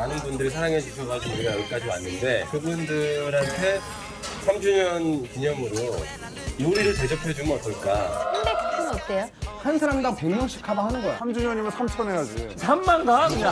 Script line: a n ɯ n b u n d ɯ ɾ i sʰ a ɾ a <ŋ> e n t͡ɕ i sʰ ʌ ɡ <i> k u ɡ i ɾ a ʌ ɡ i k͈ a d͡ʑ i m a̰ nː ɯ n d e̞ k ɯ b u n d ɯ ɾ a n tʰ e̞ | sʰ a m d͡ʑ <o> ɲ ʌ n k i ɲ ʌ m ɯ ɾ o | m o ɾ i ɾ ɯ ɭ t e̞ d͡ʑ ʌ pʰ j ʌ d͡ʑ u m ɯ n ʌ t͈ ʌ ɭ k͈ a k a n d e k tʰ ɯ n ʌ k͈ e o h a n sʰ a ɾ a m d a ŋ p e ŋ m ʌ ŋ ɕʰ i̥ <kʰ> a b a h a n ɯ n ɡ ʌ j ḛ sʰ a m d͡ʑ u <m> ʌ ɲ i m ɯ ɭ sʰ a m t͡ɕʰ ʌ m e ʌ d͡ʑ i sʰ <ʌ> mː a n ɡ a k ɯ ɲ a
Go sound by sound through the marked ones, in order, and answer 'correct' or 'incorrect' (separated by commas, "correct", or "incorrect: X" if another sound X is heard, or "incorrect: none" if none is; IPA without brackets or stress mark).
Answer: correct, incorrect: a, incorrect: u, correct, incorrect: ɲ, incorrect: a